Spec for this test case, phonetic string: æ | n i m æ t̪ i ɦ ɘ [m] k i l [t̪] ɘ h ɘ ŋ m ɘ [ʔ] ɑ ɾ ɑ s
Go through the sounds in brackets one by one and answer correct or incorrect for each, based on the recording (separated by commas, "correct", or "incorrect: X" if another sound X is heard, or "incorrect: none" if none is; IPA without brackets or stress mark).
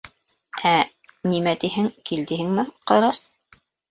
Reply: incorrect: ŋ, incorrect: d̪, incorrect: q